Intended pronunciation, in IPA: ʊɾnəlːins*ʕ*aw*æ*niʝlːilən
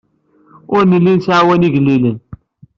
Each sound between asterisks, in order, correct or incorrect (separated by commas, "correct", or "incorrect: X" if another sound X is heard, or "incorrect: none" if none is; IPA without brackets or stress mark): correct, correct